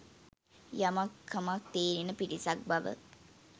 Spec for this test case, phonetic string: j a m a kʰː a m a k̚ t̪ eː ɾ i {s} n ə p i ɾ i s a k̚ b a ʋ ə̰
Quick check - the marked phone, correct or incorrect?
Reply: incorrect